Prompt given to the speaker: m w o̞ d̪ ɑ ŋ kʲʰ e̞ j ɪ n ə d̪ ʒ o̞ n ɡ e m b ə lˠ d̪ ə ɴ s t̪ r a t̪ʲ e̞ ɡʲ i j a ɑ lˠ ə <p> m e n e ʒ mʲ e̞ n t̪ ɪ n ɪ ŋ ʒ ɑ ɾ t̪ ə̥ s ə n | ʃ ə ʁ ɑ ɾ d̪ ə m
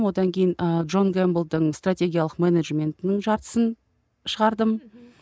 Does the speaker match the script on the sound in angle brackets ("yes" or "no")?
no